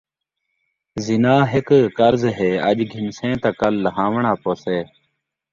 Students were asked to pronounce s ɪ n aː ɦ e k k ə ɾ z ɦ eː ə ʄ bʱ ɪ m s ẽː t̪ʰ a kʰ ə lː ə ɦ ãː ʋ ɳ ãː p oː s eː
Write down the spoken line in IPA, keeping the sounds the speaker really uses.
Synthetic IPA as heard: z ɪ n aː ɦ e k k ə ɾ z ɦ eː ə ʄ ɡʱ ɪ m s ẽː t̪ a k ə lː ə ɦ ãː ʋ ɳ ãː p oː s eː